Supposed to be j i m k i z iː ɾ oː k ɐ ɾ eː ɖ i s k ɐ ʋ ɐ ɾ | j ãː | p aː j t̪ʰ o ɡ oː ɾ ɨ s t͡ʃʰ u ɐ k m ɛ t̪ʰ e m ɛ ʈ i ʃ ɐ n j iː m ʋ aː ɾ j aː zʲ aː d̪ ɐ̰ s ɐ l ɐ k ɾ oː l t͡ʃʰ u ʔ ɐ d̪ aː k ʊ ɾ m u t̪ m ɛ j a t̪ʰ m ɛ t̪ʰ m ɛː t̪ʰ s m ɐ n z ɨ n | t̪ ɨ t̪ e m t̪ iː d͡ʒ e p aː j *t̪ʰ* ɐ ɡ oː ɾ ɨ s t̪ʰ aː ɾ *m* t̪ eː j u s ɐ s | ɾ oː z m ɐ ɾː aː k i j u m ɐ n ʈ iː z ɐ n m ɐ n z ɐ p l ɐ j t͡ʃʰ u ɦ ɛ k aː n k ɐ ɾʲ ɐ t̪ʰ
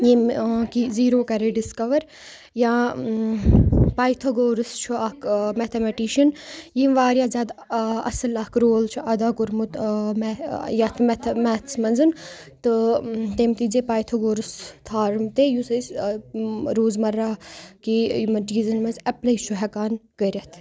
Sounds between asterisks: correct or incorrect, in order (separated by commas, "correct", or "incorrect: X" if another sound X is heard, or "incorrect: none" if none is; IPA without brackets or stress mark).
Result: correct, correct